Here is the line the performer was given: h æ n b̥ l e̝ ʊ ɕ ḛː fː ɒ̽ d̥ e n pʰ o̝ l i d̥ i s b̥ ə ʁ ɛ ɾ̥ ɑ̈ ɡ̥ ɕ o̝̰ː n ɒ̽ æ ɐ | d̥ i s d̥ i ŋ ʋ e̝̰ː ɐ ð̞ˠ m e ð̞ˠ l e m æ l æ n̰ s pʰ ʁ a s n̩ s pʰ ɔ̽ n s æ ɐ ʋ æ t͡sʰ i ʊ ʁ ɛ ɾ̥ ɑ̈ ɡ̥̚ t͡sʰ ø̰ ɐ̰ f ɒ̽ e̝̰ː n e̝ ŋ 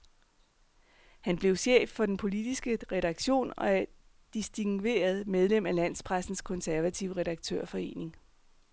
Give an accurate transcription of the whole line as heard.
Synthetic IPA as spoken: h æ n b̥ l e̝ ʊ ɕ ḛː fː ɒ̽ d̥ e n pʰ o̝ l i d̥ i s ɡ̥ ə ʁ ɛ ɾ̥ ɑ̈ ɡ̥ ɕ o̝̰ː n ɒ̽ æ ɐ | d̥ i s d̥ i ŋ ʋ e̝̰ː ɐ ð̞ˠ m e ð̞ˠ l e m æ l æ n̰ s pʰ ʁ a s n̩ s kʰ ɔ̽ n s æ ɐ ʋ æ t͡sʰ i ʊ ʁ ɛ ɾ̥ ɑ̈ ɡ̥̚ t͡sʰ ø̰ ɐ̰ f ɒ̽ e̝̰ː n e̝ ŋ